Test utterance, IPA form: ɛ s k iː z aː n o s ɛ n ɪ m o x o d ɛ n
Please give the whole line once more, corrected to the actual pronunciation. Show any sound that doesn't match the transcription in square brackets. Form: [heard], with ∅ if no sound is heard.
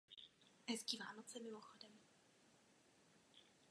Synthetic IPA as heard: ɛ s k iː [v] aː n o [t͡s] ɛ [m] ɪ m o x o d ɛ [m]